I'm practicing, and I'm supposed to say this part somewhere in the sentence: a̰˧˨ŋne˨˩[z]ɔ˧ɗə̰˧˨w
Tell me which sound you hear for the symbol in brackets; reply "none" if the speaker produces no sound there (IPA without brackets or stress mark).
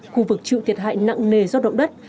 z